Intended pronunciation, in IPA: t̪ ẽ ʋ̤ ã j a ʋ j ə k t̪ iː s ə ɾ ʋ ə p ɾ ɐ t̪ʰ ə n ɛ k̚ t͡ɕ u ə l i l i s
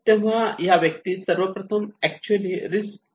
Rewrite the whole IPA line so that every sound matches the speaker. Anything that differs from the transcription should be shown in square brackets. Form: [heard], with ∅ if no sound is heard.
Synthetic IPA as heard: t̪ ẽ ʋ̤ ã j a ʋ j ə k t̪ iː s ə ɾ ʋ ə p ɾ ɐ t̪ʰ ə [m] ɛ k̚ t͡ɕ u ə l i [ɾ] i s